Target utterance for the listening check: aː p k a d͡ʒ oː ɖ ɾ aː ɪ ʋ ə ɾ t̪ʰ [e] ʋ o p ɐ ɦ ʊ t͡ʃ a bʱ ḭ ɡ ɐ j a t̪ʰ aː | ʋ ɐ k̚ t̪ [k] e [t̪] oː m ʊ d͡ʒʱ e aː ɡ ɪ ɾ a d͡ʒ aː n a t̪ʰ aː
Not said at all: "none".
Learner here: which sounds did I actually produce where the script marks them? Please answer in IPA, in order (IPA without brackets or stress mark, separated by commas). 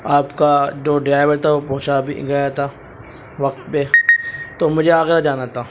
a, p, t̪